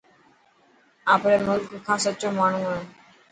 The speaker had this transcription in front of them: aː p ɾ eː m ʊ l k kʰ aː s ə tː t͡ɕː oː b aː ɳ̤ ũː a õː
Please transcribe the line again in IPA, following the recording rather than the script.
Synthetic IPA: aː p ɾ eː m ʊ l k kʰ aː s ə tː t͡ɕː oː m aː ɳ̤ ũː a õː